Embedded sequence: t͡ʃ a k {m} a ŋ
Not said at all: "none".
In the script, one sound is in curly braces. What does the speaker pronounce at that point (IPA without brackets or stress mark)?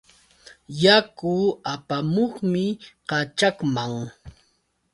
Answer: m